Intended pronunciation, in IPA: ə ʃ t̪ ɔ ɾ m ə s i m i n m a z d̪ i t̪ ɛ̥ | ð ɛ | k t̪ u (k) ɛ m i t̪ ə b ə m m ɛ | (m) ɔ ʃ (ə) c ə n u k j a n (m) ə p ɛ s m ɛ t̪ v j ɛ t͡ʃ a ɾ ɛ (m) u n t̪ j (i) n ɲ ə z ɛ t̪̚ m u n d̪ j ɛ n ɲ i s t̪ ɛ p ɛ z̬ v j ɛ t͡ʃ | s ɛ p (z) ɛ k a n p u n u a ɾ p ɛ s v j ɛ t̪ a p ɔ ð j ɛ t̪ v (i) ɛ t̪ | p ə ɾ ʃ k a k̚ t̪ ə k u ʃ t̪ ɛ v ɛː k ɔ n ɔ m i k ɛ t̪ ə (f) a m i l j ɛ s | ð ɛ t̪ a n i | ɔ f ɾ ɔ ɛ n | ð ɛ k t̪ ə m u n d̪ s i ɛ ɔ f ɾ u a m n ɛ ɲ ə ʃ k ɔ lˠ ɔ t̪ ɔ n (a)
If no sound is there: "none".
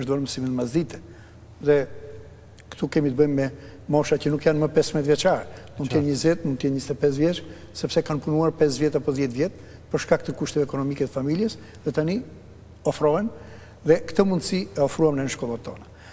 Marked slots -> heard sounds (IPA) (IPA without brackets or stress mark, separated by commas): k, m, a, m, m, ɛ, s, j, f, a